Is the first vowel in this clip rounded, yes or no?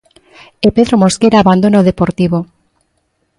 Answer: no